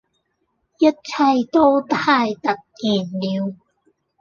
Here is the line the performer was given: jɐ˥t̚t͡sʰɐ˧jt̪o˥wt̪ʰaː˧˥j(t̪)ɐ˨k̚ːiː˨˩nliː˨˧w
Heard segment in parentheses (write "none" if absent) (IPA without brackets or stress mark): t̪